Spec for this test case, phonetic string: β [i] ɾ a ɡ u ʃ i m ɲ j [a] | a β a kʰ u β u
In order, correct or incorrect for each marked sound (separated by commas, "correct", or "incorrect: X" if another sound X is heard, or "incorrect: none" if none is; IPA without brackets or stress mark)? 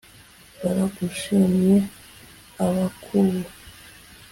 incorrect: a, incorrect: e